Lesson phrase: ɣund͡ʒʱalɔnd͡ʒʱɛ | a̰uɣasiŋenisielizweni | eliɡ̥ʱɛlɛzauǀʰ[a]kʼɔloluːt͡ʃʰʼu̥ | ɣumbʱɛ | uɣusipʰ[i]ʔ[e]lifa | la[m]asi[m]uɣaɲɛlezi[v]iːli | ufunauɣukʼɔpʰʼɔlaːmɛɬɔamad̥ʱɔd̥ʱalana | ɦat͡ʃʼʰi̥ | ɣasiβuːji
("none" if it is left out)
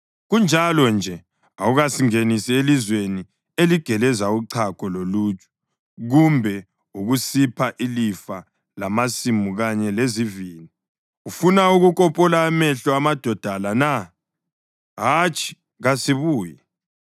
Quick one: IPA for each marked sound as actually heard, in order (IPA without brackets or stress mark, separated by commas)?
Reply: a, a, i, m, m, v